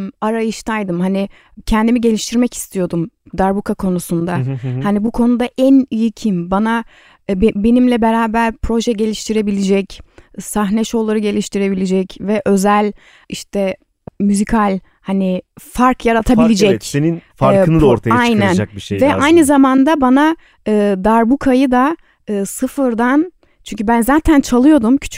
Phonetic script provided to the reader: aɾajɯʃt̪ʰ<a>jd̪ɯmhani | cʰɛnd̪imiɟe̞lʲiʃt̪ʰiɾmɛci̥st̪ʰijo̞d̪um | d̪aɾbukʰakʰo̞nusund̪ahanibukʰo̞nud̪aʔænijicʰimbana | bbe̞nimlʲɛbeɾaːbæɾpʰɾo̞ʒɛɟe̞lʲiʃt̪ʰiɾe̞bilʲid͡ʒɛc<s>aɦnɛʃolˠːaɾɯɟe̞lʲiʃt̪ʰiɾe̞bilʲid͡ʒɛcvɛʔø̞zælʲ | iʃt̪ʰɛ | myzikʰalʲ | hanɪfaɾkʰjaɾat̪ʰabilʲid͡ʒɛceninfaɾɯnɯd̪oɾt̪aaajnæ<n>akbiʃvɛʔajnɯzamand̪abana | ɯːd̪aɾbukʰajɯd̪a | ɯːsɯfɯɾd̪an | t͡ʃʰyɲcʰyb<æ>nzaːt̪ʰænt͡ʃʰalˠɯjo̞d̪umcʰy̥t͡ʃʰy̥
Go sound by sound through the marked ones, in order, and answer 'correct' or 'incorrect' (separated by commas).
correct, correct, correct, correct